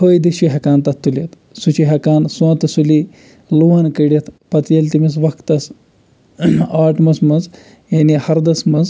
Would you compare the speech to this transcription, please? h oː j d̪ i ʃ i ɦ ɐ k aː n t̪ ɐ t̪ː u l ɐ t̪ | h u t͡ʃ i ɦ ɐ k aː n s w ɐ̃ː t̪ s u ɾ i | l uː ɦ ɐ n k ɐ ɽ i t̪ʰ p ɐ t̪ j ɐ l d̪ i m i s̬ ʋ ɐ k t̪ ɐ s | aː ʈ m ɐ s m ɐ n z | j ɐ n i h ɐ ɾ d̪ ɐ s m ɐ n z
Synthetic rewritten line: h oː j d̪ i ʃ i ɦ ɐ k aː n t̪ ɐ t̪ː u l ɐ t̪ | s u t͡ʃ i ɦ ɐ k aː n s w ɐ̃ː t̪ s u l i | l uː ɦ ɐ n k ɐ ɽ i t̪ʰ p ɐ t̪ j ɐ l t̪ i m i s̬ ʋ ɐ k t̪ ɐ s | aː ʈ m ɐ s m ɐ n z | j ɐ n i h ɐ ɾ d̪ ɐ s m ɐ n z